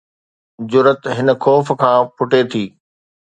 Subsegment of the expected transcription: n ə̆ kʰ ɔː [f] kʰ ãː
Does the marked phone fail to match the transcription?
no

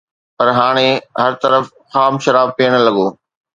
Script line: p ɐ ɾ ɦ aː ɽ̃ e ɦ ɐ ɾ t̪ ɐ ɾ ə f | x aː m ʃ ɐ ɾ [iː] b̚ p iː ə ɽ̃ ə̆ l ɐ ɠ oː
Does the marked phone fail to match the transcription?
yes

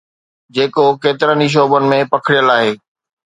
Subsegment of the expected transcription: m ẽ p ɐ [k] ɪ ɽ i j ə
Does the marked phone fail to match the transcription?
yes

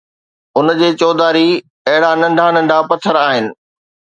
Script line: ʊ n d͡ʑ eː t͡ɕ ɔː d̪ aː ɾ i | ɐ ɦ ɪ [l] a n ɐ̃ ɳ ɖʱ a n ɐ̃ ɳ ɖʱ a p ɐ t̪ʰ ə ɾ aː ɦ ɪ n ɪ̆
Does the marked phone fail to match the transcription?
yes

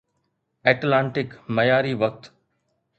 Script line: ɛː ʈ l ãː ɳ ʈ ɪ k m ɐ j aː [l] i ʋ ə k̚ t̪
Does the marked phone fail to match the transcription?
yes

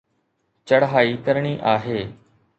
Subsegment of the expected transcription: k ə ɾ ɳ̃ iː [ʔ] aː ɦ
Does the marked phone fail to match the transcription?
no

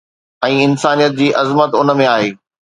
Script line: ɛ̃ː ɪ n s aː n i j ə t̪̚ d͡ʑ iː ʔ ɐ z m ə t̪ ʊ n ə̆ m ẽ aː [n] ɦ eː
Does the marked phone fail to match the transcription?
yes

